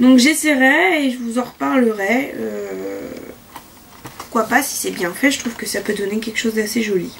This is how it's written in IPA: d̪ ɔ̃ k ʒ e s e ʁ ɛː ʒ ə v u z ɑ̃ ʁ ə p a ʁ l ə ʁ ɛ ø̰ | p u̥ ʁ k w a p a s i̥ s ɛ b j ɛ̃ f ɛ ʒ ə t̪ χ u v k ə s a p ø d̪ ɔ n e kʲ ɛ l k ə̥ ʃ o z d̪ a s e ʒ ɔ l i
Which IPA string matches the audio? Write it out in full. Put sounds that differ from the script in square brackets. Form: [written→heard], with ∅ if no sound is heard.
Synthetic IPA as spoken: d̪ ɔ̃ k ʒ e s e ʁ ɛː ʒ ə v u z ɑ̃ ʁ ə p a ʁ l ə ʁ ɛ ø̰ | p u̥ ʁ k w a p a s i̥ s ɛ b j ɛ̃ f ɛ ʒ ə t̪ χ u v k ə s a p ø d̪ ɔ n e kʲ ɛ l k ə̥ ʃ o z d̪ a s e ʒ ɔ l i